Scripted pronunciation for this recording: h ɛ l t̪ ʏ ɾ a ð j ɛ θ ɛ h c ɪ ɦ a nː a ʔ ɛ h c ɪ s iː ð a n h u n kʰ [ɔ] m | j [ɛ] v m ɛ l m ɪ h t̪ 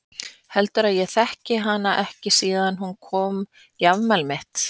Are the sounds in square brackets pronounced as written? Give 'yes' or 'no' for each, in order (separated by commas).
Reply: no, no